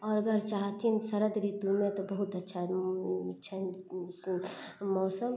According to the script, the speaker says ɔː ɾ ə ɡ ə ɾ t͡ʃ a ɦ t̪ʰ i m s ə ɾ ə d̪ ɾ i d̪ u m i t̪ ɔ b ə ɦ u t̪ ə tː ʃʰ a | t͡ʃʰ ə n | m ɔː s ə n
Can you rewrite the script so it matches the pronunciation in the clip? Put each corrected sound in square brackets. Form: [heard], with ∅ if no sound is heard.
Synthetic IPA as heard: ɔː ɾ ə ɡ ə ɾ t͡ʃ a ɦ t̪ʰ i [n] s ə ɾ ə d̪ ɾ i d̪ u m [e] t̪ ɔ b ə ɦ u t̪ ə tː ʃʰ a | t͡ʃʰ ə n | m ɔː s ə [m]